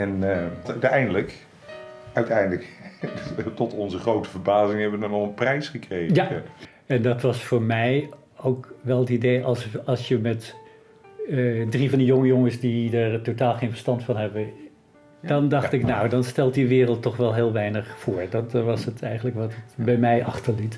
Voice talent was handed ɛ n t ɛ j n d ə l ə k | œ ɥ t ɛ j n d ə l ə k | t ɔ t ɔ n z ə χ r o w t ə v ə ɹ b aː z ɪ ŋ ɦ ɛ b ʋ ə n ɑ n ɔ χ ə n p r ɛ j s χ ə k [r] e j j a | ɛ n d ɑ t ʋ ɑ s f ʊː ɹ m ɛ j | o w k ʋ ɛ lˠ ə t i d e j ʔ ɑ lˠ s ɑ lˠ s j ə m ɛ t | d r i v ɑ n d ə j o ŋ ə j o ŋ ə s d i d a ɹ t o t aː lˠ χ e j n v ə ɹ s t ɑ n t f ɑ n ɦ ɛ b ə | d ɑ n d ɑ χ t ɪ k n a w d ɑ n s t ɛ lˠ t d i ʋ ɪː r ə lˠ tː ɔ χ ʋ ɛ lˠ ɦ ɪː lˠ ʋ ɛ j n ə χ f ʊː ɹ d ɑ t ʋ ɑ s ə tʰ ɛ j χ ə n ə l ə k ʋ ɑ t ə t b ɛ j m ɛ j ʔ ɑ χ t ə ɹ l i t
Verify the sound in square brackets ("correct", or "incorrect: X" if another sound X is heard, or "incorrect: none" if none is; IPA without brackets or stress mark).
correct